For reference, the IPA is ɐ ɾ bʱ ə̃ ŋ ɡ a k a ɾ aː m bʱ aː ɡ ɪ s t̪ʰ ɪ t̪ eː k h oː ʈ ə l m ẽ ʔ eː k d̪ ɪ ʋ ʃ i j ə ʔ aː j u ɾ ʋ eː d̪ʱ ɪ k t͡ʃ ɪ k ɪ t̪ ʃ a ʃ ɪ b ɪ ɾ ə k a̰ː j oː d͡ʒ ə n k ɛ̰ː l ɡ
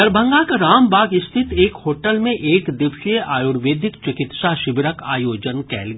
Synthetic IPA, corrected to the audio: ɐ ɾ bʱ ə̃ ŋ ɡ a k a ɾ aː m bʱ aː ɡ ɪ s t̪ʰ ɪ t̪ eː k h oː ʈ ə l m ẽ ʔ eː k d̪ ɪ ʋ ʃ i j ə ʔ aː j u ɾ ʋ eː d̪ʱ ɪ k t͡ʃ ɪ k ɪ t̪ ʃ a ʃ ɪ b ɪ ɾ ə k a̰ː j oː d͡ʒ ə n k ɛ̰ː l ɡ